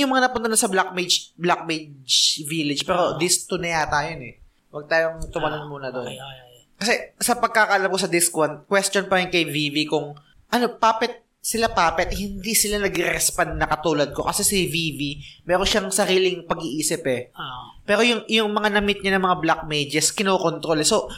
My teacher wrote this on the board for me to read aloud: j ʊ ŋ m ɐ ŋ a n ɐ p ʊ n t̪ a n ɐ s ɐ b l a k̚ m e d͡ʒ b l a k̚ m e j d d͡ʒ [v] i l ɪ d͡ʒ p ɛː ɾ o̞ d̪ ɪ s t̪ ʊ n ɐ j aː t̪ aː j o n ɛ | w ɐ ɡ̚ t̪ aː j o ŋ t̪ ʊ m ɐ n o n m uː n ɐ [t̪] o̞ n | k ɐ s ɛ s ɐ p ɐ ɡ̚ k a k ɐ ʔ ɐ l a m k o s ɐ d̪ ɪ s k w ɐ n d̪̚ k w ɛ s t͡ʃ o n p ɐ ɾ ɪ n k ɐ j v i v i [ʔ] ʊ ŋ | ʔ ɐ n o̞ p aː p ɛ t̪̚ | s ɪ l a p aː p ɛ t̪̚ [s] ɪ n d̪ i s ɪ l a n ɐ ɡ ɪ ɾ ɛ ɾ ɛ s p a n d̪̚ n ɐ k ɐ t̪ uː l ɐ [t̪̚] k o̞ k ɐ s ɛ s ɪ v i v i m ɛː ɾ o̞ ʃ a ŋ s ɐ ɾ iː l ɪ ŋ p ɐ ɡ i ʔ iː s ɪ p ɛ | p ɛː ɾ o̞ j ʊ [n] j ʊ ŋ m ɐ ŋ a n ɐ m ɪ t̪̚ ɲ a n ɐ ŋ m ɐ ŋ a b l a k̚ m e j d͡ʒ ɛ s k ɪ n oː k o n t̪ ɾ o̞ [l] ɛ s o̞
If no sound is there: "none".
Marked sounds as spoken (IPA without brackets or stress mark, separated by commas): v, d̪, k, h, d̪̚, ŋ, l